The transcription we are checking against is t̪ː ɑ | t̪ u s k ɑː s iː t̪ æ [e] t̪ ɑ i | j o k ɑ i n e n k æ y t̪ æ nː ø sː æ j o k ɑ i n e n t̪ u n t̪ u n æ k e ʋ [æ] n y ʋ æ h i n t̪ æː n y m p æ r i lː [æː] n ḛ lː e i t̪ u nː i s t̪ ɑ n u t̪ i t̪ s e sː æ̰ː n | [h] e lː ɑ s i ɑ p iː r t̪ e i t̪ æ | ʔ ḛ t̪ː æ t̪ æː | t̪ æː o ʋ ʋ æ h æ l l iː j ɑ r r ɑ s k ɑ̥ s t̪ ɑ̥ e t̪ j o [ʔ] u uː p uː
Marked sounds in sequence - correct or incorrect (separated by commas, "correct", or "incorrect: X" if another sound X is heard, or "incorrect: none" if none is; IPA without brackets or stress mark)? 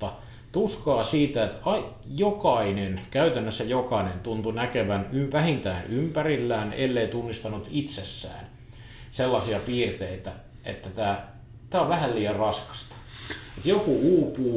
correct, correct, correct, incorrect: s, incorrect: k